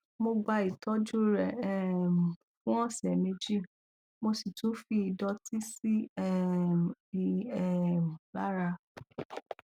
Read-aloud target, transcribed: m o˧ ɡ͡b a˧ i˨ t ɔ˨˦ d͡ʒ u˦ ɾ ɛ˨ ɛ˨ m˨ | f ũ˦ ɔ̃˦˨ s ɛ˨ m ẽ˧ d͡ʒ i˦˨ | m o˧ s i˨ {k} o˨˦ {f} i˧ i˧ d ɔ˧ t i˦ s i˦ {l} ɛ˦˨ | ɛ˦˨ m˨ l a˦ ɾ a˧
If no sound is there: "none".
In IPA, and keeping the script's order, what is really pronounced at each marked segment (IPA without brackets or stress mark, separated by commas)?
t, f, none